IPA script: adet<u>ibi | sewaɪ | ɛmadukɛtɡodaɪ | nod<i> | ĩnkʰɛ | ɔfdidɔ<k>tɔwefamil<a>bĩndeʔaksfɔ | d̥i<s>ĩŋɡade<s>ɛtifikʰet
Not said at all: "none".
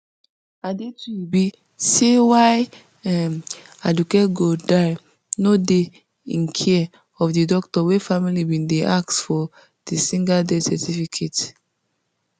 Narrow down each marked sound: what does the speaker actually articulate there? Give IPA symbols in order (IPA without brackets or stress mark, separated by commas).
u, e, k, i, s, s